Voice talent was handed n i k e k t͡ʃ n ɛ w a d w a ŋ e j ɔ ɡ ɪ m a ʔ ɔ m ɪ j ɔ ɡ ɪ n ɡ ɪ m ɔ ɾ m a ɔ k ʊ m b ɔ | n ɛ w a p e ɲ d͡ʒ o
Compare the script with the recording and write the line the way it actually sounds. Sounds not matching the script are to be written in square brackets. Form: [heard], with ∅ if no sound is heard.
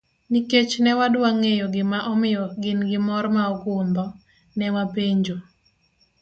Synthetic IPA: n i k e [∅] t͡ʃ n ɛ w a d w a ŋ e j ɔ ɡ ɪ m a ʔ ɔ m ɪ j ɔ ɡ ɪ n ɡ ɪ m ɔ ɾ m a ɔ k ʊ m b ɔ | n ɛ w a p e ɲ d͡ʒ o